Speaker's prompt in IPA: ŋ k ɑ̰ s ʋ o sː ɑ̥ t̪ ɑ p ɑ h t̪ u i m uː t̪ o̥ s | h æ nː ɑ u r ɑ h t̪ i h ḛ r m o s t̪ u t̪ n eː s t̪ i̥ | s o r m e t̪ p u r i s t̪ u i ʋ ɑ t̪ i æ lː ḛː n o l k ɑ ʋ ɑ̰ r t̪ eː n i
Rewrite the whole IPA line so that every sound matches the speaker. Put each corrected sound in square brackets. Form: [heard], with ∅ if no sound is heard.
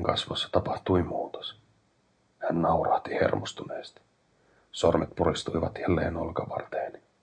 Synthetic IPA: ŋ k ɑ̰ s ʋ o sː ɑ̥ t̪ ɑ p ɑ h t̪ u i m uː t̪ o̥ s | h æ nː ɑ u r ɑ h t̪ i h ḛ r m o s t̪ u [∅] n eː s t̪ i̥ | s o r m e t̪ p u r i s t̪ u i ʋ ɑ t̪ [j] æ lː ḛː n o l k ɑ ʋ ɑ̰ r t̪ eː n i